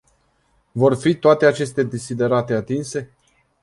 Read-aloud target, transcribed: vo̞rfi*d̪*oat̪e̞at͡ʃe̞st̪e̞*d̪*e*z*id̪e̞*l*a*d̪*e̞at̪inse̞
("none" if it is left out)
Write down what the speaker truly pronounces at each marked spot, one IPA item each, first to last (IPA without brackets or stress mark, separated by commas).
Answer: t̪, d̪, s, ɾ, t̪